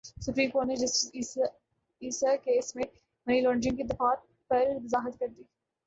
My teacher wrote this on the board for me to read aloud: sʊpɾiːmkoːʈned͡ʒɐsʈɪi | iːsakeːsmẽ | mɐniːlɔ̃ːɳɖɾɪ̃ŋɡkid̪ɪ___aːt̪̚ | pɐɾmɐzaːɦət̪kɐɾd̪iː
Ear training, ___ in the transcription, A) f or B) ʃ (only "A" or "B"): A